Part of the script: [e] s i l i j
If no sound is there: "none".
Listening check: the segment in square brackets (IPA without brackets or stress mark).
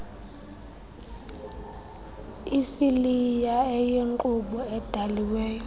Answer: i